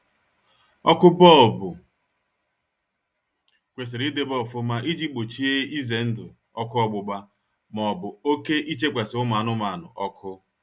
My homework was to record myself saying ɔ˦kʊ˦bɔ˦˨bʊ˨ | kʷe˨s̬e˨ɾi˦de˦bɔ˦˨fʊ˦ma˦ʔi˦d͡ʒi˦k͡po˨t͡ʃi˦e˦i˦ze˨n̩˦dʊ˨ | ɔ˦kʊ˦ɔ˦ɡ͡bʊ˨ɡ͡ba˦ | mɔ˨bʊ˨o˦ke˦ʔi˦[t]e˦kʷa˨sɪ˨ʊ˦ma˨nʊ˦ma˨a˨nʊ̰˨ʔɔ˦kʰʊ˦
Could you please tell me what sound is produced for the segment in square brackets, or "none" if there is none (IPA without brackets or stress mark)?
t͡ʃ